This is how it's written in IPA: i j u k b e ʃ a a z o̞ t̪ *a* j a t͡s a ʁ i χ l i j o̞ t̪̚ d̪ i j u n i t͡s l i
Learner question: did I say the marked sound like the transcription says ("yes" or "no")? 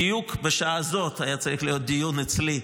yes